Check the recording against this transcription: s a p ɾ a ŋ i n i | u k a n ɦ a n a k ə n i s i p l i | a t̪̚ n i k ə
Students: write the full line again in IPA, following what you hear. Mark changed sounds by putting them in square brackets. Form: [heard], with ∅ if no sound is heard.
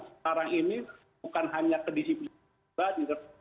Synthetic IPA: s a [∅] ɾ a ŋ i n i | u k a n ɦ a [ɲ] a k ə [d] i s i p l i | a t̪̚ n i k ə